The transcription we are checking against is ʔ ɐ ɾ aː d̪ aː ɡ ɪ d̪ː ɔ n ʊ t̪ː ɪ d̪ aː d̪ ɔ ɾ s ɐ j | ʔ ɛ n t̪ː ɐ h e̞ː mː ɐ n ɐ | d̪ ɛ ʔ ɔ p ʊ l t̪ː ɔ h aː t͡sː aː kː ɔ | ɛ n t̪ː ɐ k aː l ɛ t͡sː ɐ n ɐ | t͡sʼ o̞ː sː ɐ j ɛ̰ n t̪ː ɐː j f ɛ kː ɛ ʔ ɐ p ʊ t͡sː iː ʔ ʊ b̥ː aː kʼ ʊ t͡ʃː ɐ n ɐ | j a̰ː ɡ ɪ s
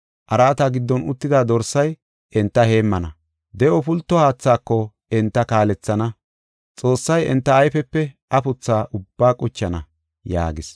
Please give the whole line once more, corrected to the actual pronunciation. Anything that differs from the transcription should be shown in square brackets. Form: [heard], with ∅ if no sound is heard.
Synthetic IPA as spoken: ʔ ɐ ɾ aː [t̪] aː ɡ ɪ d̪ː ɔ n ʊ t̪ː ɪ d̪ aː d̪ ɔ ɾ s ɐ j | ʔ ɛ n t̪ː ɐ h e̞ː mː ɐ n ɐ | d̪ ɛ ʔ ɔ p ʊ l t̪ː ɔ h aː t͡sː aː kː ɔ | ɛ n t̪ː ɐ k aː l ɛ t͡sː ɐ n ɐ | t͡sʼ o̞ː sː ɐ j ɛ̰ n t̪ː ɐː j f ɛ [pː] ɛ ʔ ɐ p ʊ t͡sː [aː] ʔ ʊ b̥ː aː kʼ ʊ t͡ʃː ɐ n ɐ | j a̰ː ɡ ɪ s